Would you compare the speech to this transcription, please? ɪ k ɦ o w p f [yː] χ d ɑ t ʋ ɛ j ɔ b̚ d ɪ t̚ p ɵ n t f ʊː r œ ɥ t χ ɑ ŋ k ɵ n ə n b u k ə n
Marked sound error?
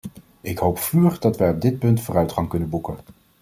no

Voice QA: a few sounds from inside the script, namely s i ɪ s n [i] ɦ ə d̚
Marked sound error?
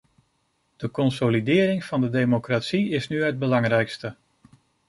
yes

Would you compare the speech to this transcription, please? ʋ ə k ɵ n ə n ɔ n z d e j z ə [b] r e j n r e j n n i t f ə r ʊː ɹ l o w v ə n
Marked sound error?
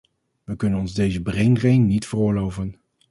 no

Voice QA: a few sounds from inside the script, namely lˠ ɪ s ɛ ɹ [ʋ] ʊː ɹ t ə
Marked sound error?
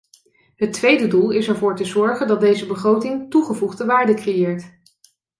yes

